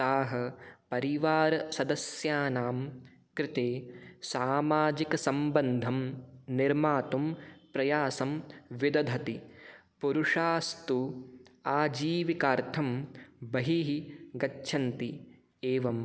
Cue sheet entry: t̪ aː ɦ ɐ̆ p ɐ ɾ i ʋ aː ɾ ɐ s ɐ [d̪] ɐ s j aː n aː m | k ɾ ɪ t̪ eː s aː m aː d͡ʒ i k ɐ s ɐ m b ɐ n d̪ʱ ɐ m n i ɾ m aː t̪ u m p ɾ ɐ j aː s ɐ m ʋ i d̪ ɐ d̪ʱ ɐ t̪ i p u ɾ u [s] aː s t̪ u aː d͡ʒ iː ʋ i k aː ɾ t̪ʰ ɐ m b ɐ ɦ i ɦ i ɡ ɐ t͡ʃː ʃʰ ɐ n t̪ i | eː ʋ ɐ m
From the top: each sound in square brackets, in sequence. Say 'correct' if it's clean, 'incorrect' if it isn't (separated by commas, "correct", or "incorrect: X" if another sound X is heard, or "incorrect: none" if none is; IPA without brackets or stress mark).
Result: correct, incorrect: ʂ